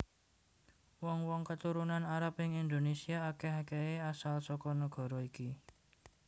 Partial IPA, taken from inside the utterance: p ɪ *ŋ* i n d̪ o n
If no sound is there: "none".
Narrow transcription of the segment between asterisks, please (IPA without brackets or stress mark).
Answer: ŋ